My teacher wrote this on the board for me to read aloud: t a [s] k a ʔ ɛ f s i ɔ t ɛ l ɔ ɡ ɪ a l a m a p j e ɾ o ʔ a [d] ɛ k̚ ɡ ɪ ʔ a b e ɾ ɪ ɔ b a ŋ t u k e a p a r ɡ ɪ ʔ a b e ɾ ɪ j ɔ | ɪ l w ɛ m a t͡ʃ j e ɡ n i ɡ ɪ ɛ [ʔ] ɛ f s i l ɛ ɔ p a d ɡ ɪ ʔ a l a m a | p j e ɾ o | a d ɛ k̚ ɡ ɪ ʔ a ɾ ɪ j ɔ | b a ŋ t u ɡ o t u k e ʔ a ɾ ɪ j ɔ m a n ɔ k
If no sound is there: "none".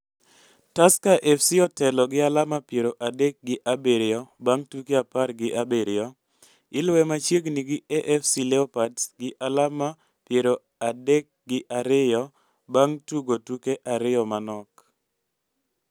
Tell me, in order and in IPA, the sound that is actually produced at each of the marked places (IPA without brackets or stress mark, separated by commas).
s, d, ʔ